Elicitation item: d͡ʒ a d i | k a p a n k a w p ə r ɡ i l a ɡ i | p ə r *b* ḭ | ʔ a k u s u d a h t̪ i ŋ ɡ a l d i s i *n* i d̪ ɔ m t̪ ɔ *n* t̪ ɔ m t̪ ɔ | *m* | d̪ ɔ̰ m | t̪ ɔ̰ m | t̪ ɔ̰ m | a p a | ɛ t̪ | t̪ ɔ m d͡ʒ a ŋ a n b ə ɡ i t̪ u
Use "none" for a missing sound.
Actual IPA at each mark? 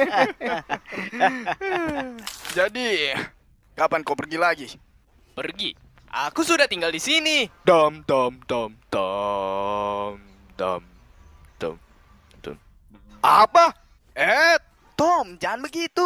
ɡ, n, m, m

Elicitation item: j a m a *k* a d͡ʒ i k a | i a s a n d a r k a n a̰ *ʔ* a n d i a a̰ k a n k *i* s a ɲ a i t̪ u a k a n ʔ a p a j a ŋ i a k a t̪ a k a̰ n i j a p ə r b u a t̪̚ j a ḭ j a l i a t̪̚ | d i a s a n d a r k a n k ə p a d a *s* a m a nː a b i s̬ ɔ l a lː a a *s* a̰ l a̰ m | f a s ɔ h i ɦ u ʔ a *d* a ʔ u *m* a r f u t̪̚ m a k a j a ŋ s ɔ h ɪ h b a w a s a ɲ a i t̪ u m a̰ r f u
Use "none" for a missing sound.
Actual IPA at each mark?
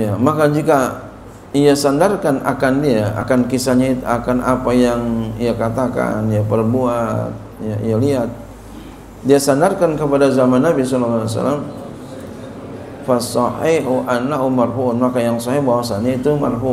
k, k, i, z, s, n, m

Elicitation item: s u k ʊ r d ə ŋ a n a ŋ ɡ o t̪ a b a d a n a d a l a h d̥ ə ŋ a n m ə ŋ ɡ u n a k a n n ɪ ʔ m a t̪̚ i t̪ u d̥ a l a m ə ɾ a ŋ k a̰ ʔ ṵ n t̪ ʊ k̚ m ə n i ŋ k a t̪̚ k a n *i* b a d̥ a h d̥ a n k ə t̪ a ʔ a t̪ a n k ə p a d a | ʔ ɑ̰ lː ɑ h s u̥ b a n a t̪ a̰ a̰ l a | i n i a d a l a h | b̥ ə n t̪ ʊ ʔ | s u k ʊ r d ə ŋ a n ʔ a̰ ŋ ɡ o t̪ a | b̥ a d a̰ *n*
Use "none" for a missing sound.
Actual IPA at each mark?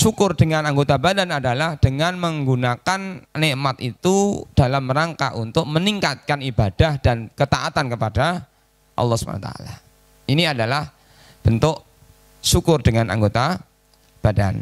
i, n

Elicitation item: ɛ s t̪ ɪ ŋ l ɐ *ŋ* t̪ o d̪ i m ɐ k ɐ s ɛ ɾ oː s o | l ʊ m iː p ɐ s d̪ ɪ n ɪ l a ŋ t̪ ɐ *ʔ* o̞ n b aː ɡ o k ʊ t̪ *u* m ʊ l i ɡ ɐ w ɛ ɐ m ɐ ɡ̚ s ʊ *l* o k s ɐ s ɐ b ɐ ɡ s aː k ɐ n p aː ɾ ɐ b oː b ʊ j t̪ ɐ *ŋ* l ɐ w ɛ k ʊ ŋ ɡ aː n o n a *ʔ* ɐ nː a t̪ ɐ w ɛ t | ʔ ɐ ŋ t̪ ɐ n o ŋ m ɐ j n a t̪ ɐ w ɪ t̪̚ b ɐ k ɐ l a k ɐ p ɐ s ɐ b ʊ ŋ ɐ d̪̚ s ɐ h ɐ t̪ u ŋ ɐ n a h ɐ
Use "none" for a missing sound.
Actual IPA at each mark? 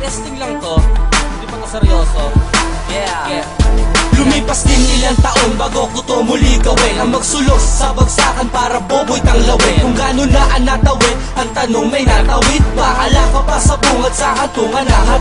ŋ, ʔ, o, l, ŋ, ʔ

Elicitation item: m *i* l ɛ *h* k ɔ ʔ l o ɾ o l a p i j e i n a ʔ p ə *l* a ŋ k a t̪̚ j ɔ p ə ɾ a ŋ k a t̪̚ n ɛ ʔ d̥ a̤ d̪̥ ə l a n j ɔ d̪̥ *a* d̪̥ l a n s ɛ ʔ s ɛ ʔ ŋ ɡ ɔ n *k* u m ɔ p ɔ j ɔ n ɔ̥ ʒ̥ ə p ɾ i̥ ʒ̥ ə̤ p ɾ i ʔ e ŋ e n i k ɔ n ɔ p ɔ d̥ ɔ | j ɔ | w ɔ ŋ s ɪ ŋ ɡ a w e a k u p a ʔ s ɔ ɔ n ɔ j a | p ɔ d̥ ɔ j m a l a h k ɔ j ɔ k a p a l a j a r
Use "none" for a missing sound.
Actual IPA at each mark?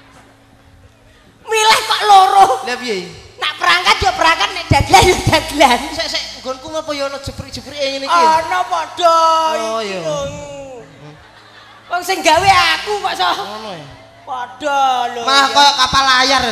i, h, ɾ, a, k

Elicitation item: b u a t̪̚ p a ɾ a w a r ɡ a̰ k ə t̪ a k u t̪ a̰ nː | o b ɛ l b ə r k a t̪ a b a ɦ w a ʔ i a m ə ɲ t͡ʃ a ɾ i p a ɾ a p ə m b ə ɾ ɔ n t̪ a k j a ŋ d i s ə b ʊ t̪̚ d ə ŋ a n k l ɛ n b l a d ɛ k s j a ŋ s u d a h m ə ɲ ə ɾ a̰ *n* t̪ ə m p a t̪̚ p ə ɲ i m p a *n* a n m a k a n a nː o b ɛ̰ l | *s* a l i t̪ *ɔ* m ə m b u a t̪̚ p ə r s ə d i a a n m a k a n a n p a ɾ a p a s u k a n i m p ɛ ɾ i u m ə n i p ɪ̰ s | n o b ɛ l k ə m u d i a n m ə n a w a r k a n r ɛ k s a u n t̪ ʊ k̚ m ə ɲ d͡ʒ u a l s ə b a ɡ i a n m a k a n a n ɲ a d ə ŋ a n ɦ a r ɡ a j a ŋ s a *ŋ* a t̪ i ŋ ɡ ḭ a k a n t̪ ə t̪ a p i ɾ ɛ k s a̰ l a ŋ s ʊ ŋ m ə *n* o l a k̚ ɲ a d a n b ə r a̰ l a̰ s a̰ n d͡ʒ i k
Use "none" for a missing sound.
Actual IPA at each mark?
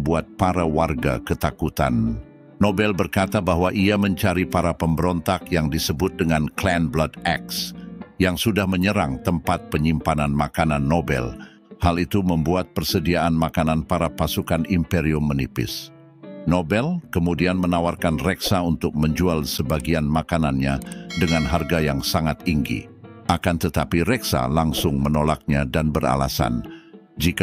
ŋ, n, h, u, ŋ, n

